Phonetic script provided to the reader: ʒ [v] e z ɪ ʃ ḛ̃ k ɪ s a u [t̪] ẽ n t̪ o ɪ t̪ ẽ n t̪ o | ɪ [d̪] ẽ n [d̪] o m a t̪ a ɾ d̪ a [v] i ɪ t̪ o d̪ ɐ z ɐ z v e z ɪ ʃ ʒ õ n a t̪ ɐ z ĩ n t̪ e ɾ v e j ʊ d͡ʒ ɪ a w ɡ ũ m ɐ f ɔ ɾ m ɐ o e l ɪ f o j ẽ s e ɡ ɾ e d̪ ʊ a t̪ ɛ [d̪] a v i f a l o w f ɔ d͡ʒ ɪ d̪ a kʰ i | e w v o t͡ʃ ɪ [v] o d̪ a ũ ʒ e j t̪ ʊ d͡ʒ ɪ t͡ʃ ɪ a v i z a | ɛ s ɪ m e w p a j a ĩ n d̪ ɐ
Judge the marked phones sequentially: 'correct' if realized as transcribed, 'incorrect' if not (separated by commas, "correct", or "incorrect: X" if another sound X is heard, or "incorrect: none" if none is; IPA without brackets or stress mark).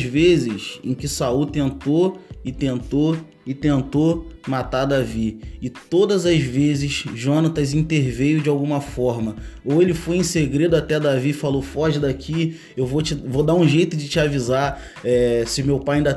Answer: correct, correct, incorrect: t̪, incorrect: t̪, correct, correct, correct